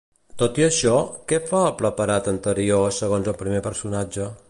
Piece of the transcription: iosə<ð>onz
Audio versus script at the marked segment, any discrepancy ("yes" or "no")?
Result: yes